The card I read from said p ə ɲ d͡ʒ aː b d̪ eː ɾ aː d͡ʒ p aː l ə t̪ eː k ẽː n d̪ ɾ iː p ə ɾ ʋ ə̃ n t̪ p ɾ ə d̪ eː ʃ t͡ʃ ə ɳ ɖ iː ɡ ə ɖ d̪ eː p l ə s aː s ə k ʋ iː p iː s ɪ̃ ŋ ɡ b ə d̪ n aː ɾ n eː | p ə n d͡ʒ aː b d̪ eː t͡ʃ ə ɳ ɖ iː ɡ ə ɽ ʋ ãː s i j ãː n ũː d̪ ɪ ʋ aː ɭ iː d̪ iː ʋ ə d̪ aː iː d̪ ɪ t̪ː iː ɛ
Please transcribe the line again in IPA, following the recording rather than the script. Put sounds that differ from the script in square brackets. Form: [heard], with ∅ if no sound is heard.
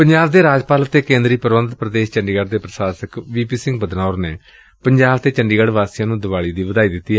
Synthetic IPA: p ə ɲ d͡ʒ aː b d̪ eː ɾ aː d͡ʒ p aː l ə t̪ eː k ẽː n d̪ ɾ iː p ə ɾ ʋ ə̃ n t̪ p ɾ ə d̪ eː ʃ t͡ʃ ə ɳ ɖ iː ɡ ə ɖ d̪ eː p [ɾ] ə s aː s ə k ʋ iː p iː s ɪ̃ ŋ ɡ b ə d̪ n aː ɾ n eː | p ə [ɲ] d͡ʒ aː b [t̪] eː t͡ʃ ə ɳ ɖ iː ɡ ə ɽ ʋ [aː] s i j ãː n ũː d̪ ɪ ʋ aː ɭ iː d̪ iː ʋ ə d̪ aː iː d̪ ɪ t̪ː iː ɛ